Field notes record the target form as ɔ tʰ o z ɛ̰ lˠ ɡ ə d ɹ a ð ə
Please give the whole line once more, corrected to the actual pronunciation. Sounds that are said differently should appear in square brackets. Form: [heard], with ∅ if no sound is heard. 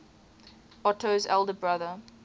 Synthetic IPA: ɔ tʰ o z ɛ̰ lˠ [d] ə [b] ɹ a ð ə